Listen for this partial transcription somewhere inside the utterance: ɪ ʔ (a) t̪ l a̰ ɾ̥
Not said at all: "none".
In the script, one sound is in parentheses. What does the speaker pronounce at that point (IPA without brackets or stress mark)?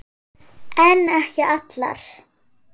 a